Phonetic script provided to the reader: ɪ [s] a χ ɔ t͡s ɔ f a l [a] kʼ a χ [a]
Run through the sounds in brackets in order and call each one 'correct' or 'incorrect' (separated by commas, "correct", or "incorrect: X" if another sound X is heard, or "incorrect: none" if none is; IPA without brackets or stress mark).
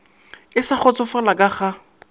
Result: correct, correct, correct